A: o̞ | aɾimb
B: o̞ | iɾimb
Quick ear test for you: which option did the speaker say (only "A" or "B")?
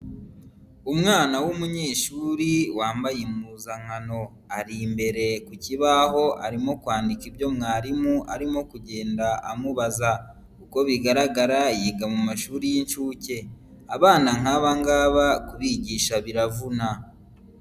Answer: A